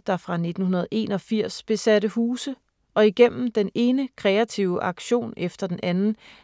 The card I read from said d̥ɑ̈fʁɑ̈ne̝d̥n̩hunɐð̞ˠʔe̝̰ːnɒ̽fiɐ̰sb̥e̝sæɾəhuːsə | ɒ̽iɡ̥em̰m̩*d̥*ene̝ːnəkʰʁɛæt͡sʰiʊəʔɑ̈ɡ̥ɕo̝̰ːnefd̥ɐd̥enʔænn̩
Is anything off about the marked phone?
no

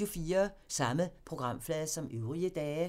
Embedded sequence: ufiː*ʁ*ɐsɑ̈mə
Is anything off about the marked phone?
yes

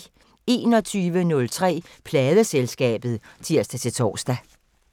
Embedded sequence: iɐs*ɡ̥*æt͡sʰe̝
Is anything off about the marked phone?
yes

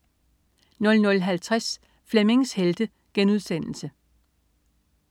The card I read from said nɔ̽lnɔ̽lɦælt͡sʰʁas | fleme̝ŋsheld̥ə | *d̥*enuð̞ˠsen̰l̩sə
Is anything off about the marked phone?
yes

